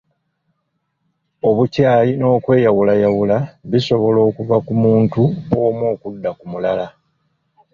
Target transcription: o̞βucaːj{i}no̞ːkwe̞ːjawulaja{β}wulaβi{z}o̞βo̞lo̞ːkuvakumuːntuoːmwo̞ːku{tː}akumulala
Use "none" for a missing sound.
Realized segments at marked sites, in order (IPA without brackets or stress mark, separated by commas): i, none, s, dː